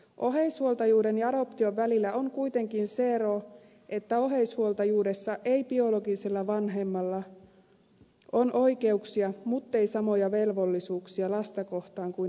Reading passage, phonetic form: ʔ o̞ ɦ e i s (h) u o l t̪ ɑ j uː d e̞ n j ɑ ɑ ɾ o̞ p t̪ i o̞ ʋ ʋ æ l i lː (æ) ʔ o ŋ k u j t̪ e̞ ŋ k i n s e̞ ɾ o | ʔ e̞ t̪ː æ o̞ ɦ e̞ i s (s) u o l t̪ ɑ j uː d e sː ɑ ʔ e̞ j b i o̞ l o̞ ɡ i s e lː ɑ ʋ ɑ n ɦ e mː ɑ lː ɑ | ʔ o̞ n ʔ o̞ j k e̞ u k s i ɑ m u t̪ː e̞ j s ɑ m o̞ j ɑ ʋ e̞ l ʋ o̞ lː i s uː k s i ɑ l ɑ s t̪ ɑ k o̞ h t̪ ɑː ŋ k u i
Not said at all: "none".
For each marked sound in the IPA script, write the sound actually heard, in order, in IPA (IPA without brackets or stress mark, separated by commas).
h, æ, h